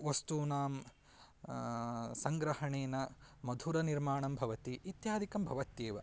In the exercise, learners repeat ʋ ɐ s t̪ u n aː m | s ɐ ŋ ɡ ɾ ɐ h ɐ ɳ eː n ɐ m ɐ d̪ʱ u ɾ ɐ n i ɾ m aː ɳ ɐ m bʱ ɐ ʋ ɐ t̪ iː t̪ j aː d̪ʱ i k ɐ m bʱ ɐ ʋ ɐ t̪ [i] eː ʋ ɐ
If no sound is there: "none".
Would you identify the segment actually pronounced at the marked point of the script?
j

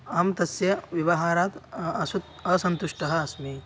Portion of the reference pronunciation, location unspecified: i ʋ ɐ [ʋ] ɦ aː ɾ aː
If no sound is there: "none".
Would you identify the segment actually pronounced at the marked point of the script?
none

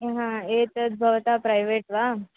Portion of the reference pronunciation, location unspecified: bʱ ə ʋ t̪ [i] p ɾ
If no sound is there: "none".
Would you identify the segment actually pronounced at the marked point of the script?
a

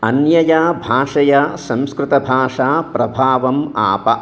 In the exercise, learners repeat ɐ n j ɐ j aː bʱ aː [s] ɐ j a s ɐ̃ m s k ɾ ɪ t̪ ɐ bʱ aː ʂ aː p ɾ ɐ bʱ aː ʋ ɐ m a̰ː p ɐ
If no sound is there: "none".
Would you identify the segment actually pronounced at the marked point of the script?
ʂ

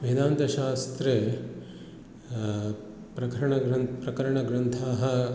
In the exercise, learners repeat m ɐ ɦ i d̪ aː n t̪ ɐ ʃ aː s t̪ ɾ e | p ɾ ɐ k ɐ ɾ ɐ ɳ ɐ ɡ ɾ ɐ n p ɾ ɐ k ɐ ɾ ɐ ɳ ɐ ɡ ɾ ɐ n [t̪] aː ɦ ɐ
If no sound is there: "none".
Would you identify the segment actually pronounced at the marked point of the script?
t̪ʰ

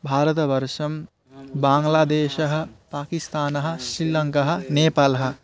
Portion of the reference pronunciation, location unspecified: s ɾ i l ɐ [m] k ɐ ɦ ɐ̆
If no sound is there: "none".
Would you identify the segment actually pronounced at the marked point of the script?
ŋ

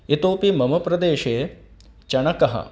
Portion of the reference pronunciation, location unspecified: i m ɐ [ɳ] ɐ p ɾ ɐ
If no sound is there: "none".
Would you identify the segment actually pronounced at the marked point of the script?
m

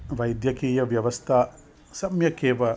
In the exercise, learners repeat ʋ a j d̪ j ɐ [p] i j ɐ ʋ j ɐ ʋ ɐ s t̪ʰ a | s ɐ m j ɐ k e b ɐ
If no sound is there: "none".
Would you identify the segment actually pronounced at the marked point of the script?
k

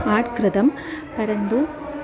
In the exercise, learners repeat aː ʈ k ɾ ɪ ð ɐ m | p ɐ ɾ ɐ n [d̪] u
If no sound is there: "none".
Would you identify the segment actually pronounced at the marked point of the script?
d̪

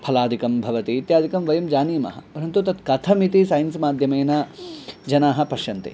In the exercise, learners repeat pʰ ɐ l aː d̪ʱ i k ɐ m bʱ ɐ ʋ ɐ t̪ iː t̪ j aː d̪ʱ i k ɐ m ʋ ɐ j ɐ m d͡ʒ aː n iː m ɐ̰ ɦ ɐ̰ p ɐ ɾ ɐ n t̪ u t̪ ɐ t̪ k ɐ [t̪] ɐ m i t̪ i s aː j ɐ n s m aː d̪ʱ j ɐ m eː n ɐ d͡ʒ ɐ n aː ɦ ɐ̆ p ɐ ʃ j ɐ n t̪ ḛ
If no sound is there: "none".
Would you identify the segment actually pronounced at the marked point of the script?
t̪ʰ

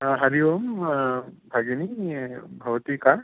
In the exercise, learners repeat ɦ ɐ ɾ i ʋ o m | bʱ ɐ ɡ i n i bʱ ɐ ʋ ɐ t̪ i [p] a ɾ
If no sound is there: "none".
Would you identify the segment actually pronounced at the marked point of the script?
k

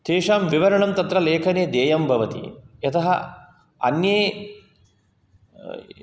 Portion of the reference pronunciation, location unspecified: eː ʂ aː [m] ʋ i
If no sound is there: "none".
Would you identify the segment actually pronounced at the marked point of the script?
m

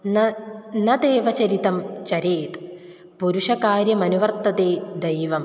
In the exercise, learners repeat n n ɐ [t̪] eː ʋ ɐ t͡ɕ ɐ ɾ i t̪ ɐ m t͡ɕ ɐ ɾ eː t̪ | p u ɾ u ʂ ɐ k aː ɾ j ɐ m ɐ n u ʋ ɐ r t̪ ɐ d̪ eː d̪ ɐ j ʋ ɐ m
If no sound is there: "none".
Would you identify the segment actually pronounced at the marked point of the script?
d̪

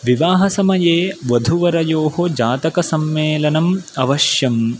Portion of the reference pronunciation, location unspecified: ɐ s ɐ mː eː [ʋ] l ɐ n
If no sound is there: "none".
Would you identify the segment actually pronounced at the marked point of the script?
none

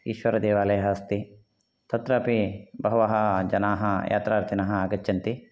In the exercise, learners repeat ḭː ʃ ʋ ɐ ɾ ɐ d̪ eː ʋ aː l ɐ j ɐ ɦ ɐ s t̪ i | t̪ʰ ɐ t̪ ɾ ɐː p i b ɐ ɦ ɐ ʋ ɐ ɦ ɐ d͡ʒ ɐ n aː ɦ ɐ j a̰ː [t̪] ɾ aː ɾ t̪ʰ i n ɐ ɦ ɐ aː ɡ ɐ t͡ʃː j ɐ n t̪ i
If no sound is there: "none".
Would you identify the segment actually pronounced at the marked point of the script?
t̪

